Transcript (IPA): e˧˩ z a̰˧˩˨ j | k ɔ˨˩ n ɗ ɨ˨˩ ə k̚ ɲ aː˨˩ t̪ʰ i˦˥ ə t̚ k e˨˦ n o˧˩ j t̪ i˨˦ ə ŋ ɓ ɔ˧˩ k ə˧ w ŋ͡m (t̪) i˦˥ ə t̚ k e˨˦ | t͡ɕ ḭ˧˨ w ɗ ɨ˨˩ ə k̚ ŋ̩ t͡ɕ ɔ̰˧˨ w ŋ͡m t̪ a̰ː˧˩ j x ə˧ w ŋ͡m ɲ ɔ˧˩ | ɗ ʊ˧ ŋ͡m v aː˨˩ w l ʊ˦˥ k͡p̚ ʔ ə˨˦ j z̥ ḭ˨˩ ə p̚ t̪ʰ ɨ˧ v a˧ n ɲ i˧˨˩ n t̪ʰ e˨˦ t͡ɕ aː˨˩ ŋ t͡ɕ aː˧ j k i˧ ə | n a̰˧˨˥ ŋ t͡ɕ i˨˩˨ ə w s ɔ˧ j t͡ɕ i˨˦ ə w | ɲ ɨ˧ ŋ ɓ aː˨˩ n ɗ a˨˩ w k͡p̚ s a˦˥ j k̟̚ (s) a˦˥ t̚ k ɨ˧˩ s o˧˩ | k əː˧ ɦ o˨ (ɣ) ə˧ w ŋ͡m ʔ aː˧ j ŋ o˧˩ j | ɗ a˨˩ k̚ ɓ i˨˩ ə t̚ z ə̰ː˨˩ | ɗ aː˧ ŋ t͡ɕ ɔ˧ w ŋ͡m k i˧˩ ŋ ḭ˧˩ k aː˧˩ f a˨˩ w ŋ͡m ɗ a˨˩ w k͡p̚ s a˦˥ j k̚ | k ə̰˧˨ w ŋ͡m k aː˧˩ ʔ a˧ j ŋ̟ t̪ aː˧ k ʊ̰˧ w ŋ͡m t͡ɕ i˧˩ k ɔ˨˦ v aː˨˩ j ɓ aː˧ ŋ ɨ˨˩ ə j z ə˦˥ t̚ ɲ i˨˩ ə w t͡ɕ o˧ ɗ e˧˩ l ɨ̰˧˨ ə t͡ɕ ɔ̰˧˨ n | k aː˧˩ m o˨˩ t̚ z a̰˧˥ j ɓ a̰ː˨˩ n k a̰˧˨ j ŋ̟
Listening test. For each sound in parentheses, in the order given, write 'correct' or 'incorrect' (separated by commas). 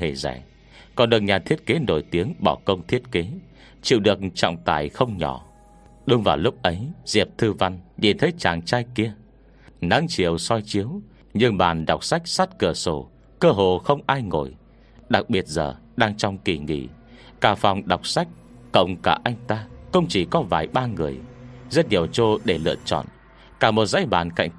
incorrect, correct, incorrect